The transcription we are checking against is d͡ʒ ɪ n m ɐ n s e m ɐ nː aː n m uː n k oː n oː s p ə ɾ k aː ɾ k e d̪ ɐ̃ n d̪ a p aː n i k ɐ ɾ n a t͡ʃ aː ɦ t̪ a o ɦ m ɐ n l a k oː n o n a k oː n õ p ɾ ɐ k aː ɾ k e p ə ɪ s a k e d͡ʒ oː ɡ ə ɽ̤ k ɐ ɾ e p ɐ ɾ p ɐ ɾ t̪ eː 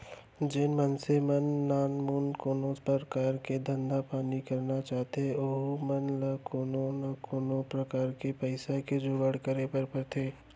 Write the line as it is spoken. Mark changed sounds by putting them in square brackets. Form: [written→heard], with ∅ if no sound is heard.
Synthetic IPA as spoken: d͡ʒ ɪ n m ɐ n s e m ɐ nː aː n m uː n k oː n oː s p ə ɾ k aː ɾ k e d̪ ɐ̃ n d̪ a p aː n i k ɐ ɾ n a t͡ʃ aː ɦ t̪ [a→e] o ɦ m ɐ n l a k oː n o n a k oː n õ p ɾ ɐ k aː ɾ k e p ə ɪ s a k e d͡ʒ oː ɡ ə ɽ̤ k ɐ ɾ e p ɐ ɾ p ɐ ɾ [t̪→t̪ʰ] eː